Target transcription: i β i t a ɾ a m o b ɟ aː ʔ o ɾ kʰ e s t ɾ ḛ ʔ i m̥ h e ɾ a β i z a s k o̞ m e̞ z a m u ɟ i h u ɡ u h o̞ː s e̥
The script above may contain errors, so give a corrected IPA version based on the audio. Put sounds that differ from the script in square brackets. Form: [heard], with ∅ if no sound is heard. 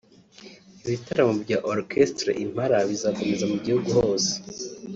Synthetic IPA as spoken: i β i t a ɾ a m o b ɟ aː ʔ o ɾ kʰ e s t ɾ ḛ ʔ i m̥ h [a] ɾ a β i z a [∅] k o̞ m e̞ z a m u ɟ i h u ɡ u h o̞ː s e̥